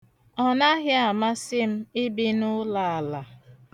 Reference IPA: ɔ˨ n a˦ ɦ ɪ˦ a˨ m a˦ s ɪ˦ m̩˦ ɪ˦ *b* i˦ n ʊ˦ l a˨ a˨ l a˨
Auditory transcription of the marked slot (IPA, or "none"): b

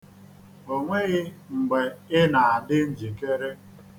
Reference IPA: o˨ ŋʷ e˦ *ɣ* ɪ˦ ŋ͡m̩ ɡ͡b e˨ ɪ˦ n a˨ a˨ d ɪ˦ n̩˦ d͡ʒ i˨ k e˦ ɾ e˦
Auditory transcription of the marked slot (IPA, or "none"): ɣ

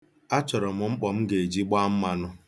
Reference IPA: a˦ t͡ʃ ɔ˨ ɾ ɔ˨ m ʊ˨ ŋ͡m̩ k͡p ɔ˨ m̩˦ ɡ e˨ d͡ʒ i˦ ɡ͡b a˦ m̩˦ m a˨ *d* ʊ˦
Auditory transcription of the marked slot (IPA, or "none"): n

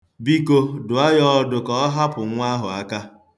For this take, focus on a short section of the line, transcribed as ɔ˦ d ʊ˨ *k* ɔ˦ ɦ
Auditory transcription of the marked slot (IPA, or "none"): k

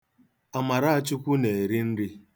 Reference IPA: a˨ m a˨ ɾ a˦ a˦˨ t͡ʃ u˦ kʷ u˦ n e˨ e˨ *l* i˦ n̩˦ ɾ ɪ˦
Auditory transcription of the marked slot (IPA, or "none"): ɾ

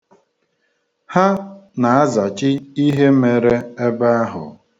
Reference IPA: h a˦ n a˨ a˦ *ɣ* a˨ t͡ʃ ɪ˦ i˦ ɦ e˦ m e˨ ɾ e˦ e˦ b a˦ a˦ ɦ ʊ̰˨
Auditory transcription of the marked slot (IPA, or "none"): z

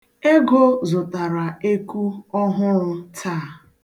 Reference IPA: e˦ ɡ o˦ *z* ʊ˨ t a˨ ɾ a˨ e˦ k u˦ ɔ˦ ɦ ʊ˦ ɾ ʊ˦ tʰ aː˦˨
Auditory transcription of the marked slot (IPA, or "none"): z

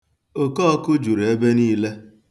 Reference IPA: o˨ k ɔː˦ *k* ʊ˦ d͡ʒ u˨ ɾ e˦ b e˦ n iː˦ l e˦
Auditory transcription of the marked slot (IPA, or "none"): k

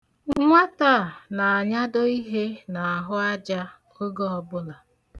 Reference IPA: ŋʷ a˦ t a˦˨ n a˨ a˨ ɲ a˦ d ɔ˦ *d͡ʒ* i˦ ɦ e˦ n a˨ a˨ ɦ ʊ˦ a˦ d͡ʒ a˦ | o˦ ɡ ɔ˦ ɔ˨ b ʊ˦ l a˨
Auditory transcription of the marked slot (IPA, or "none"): none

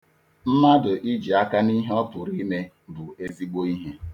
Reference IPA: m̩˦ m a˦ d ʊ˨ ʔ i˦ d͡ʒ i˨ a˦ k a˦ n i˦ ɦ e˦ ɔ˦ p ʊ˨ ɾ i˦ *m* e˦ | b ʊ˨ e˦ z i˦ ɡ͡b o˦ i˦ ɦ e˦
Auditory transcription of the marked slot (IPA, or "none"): m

